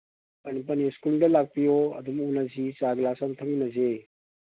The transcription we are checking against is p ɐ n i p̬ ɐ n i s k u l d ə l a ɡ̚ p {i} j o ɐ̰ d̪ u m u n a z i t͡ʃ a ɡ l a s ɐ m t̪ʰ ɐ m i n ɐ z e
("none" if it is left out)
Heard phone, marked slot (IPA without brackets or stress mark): i